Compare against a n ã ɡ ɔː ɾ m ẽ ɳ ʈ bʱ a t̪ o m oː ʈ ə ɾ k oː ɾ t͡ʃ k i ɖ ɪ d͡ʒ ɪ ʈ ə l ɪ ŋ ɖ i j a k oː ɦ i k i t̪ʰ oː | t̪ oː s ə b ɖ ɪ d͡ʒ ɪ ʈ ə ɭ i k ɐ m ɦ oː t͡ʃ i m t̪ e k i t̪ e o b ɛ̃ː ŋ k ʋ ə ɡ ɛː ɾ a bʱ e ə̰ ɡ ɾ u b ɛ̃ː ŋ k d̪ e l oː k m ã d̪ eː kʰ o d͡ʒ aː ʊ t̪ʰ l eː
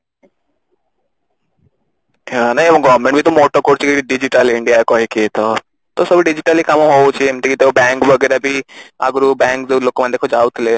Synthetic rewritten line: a n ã ɡ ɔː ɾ m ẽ ɳ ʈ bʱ i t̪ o m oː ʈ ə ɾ k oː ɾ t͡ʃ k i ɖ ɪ d͡ʒ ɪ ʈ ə l ɪ ɳ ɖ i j a k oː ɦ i k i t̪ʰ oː | t̪ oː s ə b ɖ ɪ d͡ʒ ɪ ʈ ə l i k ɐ m ɦ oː t͡ʃ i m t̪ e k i t̪ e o b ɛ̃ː ŋ k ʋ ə ɡ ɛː ɾ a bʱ i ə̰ ɡ ɾ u b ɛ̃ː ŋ k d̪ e l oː k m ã d̪ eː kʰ o d͡ʒ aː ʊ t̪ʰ l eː